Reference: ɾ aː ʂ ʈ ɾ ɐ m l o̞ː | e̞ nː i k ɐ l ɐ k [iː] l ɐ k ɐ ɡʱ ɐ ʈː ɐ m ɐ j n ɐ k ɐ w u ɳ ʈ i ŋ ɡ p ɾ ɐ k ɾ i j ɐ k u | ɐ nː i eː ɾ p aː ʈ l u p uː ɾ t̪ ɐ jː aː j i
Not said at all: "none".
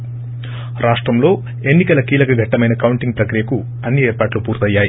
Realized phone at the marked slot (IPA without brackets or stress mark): iː